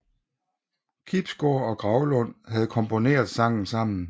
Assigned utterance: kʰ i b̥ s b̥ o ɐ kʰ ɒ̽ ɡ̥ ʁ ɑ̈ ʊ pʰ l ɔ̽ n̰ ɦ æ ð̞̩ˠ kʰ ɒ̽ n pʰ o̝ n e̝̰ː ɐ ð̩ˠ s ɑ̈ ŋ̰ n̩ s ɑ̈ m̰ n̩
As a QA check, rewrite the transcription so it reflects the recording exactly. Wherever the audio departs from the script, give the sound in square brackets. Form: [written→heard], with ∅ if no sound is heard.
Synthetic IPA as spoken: kʰ i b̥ s [b̥→ɡ̥] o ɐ [kʰ→∅] ɒ̽ ɡ̥ ʁ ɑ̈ ʊ [pʰ→∅] l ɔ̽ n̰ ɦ æ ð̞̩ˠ kʰ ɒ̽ [n→m] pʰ o̝ n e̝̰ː ɐ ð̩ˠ s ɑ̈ ŋ̰ n̩ s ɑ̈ m̰ n̩